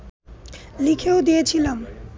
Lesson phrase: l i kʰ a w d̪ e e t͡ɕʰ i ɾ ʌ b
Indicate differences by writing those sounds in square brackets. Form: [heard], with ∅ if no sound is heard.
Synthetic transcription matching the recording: l i kʰ [e] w d̪ [i] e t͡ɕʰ i [l] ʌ [m]